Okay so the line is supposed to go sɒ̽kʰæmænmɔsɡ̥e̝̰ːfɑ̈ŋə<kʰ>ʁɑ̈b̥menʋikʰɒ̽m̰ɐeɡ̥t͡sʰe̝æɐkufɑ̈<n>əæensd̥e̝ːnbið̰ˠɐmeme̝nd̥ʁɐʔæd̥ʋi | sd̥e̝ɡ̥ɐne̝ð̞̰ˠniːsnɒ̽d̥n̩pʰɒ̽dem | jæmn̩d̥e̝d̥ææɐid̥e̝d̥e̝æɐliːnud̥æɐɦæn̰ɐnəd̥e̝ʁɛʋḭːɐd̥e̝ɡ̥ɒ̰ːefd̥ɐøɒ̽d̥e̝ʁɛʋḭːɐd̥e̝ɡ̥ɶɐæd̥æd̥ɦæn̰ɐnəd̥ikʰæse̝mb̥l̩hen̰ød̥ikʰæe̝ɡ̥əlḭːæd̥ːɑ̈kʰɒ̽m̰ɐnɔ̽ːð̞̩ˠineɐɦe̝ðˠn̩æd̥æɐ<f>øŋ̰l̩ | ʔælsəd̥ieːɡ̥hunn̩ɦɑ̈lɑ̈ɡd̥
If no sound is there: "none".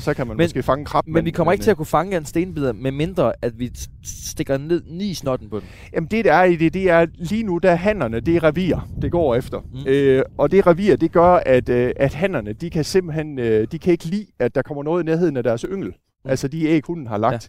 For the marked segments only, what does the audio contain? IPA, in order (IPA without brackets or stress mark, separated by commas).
kʰ, ŋ, s